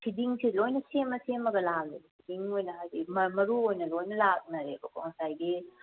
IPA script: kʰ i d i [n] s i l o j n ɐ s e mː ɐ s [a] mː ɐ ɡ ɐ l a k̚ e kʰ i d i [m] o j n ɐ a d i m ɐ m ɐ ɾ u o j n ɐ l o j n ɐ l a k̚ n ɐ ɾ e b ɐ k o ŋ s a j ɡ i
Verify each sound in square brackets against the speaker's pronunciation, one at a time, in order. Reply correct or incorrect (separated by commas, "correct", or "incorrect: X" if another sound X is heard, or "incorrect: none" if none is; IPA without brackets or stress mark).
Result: incorrect: ŋ, incorrect: e, incorrect: ŋ